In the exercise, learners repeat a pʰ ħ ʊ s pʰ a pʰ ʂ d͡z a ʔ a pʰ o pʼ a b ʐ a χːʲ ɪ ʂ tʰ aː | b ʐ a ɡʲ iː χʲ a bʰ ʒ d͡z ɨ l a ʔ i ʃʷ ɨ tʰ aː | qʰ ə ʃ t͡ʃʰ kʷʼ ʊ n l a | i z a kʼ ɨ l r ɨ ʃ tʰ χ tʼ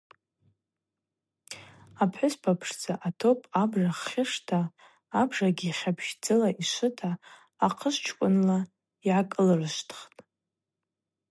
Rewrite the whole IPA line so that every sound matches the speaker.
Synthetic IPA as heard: a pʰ ħ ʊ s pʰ a pʰ ʂ d͡z a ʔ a tʰ o pʼ a b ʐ a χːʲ ɪ ʂ tʰ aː | b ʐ a ɡʲ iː χʲ a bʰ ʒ d͡z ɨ l a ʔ i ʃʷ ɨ tʰ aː | qʰ ə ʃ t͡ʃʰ kʷʼ ʊ n l a | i ʕ a kʼ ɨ l r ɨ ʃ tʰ χ tʼ